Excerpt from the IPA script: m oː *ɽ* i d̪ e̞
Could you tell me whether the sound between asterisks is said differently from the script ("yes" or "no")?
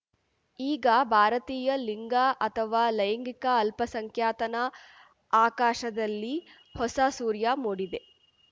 no